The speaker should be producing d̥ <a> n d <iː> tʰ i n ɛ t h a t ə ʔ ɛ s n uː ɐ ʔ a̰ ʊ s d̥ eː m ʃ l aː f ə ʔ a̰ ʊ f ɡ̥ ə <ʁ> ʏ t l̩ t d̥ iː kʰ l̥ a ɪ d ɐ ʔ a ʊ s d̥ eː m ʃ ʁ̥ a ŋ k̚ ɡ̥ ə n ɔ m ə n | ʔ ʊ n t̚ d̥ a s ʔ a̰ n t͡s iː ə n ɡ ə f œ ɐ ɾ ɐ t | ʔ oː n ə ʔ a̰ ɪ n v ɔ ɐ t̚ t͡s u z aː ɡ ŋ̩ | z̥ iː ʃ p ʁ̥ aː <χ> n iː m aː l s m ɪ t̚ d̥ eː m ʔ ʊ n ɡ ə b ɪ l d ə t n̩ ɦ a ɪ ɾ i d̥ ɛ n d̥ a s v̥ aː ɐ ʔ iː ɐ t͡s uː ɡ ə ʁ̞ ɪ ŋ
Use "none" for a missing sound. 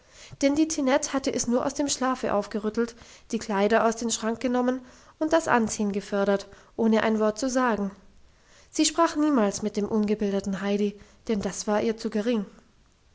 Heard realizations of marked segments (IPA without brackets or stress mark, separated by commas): ɛ, iː, ʁ, χ